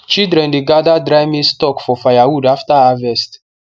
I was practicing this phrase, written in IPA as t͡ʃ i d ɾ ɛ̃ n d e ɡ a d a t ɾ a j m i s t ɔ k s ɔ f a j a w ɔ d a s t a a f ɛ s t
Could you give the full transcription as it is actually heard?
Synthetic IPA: t͡ʃ i d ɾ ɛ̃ n d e ɡ a d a d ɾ a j m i s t ɔ k f ɔ f a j a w u d a f t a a v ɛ s t